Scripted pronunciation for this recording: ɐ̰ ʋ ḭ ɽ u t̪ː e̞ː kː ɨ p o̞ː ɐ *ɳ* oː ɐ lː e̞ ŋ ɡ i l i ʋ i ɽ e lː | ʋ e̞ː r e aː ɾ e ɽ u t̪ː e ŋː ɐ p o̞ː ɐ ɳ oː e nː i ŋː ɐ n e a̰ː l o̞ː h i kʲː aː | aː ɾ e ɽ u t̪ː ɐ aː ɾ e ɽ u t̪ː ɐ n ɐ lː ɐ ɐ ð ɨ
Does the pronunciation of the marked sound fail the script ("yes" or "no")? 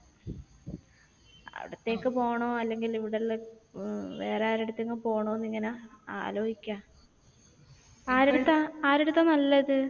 no